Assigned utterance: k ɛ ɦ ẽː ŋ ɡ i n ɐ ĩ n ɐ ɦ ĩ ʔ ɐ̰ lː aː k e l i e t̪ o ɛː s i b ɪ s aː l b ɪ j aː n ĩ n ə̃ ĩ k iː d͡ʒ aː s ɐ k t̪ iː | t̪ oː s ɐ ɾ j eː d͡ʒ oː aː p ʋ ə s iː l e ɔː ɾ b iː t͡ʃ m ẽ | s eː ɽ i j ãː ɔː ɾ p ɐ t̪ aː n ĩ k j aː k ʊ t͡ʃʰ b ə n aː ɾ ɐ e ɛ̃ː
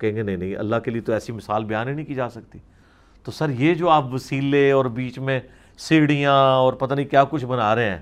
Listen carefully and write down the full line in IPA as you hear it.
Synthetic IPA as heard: k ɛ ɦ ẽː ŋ ɡ e n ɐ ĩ n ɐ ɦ ĩ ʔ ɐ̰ lː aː k e l i e t̪ o ɛː s i m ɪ s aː l b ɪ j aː n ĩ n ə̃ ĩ k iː d͡ʒ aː s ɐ k t̪ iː | t̪ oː s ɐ ɾ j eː d͡ʒ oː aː p ʋ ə s iː l e ɔː ɾ b iː t͡ʃ m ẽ | s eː ɽ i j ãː ɔː ɾ p ɐ t̪ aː n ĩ k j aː k ʊ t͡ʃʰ b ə n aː ɾ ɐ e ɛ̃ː